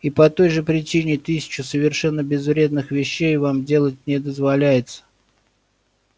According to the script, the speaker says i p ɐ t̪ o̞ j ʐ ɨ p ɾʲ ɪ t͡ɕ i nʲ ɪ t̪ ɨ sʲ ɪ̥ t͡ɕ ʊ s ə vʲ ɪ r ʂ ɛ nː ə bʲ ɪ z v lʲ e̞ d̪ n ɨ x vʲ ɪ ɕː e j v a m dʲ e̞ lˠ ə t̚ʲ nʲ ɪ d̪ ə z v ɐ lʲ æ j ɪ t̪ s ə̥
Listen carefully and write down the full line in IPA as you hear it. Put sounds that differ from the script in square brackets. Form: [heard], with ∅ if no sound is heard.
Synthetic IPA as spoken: i p ɐ t̪ o̞ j ʐ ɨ p ɾʲ ɪ t͡ɕ i nʲ ɪ t̪ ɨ sʲ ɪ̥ t͡ɕ ʊ s ə vʲ ɪ r ʂ ɛ nː ə bʲ ɪ z v [ɾʲ] e̞ d̪ n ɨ x vʲ ɪ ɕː e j v a m dʲ e̞ lˠ ə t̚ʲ nʲ ɪ d̪ ə z v ɐ lʲ æ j ɪ t̪ s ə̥